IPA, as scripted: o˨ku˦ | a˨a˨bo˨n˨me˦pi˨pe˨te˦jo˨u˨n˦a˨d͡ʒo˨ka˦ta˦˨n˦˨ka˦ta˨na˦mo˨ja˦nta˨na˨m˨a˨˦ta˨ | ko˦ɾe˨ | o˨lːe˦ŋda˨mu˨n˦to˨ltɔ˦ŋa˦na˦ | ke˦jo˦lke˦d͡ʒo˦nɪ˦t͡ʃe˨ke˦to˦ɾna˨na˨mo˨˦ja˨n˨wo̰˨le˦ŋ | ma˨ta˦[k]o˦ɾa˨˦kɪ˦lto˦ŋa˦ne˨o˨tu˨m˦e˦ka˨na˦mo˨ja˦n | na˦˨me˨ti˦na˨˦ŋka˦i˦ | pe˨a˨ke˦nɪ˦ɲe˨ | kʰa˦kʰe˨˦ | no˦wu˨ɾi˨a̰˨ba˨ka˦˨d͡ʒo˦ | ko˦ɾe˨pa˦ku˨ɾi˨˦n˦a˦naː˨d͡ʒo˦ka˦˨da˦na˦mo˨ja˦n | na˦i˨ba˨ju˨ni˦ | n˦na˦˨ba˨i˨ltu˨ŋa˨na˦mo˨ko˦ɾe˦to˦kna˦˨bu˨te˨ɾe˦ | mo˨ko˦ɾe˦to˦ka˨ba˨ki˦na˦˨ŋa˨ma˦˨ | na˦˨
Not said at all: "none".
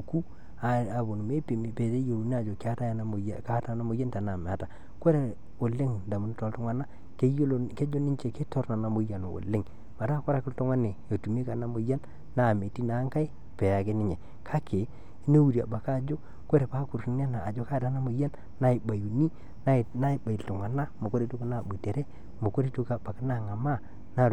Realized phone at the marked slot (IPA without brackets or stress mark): k